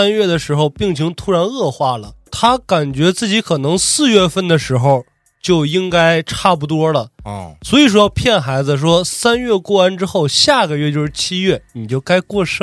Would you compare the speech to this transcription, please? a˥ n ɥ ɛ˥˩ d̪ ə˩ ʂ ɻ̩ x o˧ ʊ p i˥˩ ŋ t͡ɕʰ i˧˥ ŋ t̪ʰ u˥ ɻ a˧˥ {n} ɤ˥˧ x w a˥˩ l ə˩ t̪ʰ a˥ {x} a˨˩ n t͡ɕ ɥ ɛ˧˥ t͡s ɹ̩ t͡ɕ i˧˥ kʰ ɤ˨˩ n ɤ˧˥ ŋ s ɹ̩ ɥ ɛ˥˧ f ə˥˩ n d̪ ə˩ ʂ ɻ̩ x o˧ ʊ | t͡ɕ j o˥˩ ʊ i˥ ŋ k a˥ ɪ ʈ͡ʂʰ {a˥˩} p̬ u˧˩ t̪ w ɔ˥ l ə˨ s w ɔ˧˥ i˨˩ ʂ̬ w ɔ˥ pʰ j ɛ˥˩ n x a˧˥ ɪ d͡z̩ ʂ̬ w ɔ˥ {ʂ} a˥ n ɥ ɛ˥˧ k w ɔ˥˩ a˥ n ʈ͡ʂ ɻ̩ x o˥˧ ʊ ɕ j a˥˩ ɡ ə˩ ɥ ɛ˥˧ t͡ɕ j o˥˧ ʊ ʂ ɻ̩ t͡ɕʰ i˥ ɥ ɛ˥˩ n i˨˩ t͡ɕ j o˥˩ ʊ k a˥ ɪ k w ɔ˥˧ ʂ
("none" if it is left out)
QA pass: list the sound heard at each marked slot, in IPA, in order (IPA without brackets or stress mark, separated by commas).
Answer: n, k, a˥˩, s